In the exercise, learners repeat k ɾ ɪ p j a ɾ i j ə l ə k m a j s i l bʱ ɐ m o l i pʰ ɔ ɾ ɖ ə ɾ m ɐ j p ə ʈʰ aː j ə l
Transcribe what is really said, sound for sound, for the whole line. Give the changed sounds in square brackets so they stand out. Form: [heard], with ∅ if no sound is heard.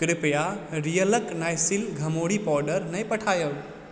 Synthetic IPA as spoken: k ɾ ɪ p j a ɾ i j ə l ə k [n] a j s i l [ɡʱ] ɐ m o [ɽ] i [p] ɔ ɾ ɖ ə ɾ [n] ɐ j p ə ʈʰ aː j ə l

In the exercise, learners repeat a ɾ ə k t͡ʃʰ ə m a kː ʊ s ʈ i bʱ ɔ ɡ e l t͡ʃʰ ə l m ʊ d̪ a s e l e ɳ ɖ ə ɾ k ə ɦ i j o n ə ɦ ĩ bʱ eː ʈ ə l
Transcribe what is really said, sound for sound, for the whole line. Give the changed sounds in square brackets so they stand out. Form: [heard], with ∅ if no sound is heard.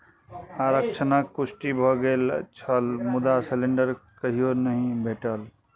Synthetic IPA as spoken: a ɾ ə k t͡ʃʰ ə [n] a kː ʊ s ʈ i bʱ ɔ ɡ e l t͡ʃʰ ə l m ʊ d̪ a s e l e ɳ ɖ ə ɾ k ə ɦ i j o n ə ɦ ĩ bʱ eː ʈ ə l

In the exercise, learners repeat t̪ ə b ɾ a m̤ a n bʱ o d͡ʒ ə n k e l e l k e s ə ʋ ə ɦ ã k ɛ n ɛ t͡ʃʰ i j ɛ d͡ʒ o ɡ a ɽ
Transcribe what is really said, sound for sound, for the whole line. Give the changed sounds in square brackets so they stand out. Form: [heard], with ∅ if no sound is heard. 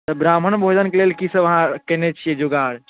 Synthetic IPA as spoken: t̪ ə b ɾ a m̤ [ə] n bʱ o d͡ʒ ə n k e l e l k [i] s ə ʋ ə ɦ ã k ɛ n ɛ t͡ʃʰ i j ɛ d͡ʒ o ɡ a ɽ

